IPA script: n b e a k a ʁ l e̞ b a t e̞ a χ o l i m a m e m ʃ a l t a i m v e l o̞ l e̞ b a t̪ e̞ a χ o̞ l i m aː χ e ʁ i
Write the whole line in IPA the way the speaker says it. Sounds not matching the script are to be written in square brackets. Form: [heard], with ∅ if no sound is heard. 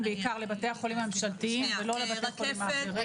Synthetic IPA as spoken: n b e [i] k a ʁ l e̞ b a t e̞ a χ o l i m a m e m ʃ a l t [i] i m v e l o̞ l e̞ b a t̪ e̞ a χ o̞ l i m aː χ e ʁ i